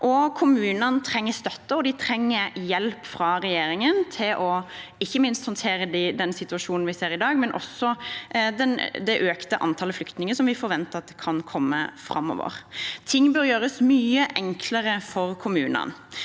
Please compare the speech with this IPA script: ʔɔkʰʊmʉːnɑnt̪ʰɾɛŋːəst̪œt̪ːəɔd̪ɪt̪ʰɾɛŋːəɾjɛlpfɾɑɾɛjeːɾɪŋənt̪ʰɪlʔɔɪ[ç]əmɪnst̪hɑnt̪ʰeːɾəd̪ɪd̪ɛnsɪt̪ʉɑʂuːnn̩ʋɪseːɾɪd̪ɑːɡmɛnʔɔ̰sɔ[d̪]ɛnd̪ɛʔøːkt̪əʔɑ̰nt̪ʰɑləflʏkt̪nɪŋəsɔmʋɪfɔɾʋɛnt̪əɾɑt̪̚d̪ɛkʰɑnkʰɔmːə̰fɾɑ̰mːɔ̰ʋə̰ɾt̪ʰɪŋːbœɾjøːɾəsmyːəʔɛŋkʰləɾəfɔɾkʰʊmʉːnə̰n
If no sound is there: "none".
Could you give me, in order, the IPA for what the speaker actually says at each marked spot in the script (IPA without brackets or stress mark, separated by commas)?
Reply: çː, d̪